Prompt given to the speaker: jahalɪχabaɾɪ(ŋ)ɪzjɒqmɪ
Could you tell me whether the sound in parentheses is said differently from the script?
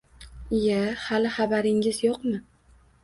no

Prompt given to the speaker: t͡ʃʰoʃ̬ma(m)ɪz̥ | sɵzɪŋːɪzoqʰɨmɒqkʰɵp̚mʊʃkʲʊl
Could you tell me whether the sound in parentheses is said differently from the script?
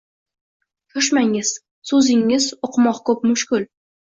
yes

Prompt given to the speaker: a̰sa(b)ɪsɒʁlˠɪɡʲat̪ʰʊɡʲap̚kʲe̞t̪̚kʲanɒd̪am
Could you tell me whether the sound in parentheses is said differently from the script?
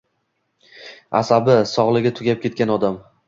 no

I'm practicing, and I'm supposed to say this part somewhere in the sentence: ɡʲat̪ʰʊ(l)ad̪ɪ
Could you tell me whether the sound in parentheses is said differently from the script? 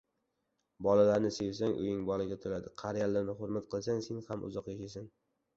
no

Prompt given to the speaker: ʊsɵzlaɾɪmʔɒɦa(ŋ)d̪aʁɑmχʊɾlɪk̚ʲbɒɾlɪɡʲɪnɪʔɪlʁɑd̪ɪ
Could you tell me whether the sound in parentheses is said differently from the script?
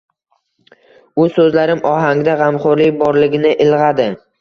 no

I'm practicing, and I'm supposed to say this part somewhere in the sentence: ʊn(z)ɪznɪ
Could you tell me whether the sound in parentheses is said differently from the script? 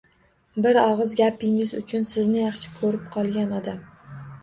yes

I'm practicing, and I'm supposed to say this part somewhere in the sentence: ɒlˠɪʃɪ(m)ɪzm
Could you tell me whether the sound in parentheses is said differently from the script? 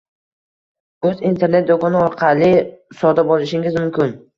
yes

